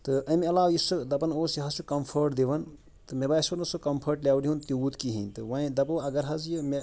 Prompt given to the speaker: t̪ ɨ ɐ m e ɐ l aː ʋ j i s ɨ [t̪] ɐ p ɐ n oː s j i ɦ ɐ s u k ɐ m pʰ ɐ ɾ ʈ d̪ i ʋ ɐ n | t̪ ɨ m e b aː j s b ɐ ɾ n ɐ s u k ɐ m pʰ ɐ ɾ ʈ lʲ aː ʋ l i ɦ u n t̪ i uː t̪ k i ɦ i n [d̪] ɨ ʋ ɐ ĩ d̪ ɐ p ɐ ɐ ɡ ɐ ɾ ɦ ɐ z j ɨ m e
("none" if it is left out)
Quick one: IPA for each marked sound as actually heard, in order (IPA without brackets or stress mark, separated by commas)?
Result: d̪, t̪